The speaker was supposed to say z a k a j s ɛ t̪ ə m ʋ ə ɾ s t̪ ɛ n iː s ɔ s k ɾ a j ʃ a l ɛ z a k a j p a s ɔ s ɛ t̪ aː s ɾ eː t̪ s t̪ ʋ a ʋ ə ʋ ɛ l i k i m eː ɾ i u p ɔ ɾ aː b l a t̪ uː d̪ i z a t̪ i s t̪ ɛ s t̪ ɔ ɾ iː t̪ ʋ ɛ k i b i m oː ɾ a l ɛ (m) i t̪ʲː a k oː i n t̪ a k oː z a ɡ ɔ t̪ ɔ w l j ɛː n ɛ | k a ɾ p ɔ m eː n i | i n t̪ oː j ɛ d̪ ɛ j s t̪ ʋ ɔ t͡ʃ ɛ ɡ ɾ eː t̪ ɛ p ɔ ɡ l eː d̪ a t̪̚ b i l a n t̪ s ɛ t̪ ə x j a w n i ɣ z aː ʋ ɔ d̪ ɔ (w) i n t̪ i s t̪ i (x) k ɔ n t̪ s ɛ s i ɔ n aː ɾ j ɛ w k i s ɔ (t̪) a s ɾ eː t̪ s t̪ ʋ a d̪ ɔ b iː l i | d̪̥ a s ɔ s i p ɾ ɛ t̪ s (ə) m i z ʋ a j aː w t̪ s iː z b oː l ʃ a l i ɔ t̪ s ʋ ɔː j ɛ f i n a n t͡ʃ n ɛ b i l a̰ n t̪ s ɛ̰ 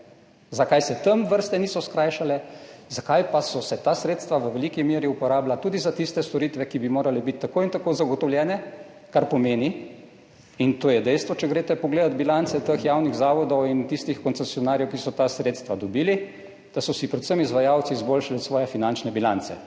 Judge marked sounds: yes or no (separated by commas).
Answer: no, yes, yes, yes, yes